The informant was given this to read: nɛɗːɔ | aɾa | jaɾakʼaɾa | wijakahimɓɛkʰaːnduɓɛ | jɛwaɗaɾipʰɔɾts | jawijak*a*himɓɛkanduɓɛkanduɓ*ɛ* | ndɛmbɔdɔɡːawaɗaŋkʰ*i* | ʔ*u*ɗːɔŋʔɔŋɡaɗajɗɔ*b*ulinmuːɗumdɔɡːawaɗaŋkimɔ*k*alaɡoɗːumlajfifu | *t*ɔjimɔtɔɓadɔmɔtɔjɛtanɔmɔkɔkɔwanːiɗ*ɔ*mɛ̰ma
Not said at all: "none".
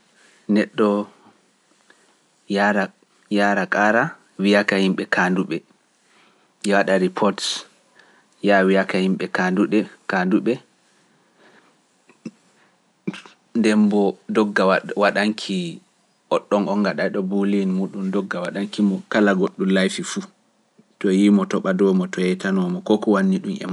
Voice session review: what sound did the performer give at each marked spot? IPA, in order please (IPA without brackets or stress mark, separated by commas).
a, ɛ, i, ɔ, b, k, t, u